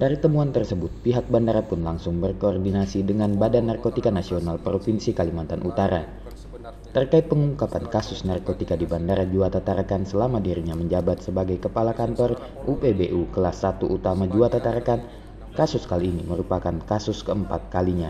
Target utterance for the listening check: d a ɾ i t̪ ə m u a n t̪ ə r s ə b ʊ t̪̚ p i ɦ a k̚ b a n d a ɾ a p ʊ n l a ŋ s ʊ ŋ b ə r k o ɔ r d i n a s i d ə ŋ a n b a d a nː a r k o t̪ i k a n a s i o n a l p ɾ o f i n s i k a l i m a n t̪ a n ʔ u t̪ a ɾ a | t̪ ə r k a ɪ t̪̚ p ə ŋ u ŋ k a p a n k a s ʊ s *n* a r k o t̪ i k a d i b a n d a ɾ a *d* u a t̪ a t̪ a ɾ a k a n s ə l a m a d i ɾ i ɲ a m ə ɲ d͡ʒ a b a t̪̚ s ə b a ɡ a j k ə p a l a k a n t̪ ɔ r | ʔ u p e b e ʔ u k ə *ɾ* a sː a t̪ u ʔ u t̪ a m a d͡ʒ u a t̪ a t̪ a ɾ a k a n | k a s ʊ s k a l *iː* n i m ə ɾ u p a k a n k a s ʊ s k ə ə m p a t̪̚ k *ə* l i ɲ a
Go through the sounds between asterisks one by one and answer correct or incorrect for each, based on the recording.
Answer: correct, incorrect: d͡ʒ, incorrect: l, correct, incorrect: a

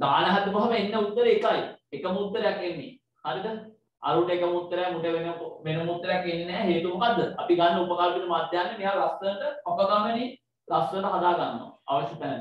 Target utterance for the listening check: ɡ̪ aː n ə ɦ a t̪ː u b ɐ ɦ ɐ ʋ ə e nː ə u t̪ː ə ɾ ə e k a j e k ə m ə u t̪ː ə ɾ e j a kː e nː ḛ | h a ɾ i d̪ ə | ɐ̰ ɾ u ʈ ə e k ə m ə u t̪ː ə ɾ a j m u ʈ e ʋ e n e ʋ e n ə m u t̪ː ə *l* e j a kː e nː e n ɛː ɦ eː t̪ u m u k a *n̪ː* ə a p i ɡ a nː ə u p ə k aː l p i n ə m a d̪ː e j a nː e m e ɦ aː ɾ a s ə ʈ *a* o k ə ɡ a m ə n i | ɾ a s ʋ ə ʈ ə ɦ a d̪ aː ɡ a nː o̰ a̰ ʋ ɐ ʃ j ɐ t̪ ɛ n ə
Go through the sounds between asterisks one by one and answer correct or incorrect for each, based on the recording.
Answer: incorrect: ɾ, incorrect: d̪ː, incorrect: ə

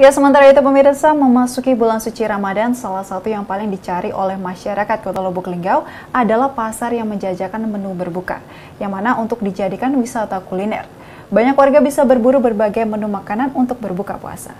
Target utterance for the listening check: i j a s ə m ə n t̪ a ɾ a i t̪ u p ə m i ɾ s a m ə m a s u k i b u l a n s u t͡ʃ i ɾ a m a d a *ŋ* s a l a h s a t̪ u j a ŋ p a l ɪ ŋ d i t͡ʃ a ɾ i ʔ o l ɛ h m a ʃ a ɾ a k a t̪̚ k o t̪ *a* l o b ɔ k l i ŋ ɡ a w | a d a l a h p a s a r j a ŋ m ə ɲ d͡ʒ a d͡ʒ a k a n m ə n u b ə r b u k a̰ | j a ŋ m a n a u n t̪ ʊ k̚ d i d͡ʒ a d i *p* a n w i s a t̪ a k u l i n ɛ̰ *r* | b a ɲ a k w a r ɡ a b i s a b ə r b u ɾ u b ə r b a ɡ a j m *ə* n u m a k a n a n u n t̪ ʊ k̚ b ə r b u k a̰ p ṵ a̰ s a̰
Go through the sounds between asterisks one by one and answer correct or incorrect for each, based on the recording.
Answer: incorrect: n, correct, incorrect: k, correct, correct

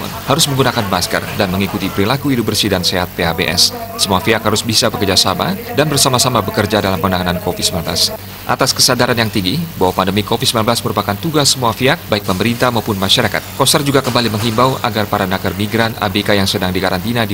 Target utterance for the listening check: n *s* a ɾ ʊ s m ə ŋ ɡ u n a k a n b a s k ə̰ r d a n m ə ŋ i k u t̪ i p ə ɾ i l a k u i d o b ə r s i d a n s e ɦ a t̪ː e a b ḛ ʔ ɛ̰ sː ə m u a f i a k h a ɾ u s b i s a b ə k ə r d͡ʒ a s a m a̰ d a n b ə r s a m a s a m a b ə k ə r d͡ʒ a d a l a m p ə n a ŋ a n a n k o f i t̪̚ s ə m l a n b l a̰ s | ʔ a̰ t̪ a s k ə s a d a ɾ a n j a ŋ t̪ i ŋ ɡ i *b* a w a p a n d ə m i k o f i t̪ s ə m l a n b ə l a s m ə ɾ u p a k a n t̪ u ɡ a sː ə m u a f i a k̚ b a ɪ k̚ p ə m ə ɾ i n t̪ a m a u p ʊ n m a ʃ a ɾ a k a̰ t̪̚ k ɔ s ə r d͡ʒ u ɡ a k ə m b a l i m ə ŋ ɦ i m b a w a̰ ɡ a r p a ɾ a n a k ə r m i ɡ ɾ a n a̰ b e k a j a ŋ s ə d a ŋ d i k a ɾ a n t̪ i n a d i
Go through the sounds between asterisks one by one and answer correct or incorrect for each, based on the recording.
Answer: incorrect: h, correct

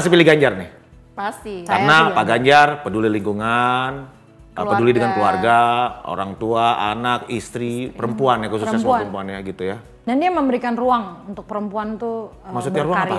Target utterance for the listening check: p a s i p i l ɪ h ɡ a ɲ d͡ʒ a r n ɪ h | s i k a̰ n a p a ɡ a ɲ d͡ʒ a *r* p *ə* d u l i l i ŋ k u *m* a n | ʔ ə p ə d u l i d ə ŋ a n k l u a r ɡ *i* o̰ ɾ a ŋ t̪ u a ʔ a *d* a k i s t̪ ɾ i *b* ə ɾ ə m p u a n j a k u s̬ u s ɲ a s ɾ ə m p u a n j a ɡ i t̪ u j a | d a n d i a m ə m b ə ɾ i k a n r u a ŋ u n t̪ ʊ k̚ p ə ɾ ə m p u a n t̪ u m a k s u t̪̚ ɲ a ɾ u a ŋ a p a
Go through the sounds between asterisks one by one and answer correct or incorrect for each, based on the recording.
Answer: correct, correct, incorrect: ŋ, incorrect: a, incorrect: n, incorrect: p

